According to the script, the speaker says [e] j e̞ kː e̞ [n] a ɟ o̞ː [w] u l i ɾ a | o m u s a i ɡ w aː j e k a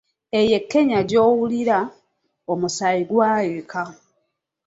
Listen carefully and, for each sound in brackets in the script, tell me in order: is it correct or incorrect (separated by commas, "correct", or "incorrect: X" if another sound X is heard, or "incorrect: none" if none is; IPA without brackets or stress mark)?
correct, incorrect: ɲ, correct